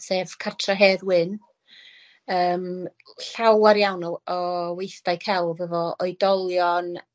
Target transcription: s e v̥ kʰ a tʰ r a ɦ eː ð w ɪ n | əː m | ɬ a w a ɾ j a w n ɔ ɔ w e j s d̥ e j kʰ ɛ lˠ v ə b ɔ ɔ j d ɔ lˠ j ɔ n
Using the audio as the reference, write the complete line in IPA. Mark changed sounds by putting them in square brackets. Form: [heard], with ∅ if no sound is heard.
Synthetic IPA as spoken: s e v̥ kʰ a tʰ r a ɦ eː ð w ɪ n | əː m | ɬ a w a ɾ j a w n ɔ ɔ w e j [θ] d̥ [a] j kʰ ɛ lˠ v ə [v] ɔ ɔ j d ɔ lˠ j ɔ n